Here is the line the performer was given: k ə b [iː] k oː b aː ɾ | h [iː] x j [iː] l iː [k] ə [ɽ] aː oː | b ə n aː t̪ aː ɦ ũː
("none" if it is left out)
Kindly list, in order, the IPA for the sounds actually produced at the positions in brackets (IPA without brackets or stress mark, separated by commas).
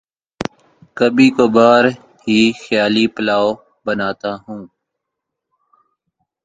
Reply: iː, iː, aː, p, l